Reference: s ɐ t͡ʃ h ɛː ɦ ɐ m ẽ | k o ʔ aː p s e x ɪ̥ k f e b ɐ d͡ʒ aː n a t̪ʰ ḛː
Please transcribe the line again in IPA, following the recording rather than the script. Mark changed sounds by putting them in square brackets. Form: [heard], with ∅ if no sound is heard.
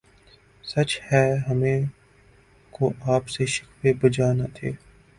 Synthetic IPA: s ɐ t͡ʃ h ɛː ɦ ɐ m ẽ | k o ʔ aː p s e [ʃ] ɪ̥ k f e b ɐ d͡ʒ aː n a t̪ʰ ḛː